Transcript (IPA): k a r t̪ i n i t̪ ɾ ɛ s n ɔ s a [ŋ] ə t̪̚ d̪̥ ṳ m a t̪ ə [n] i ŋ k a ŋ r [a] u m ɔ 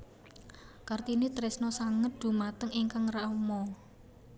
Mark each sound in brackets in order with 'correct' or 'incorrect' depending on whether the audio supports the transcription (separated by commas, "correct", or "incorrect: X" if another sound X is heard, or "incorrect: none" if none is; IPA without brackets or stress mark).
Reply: correct, incorrect: ŋ, correct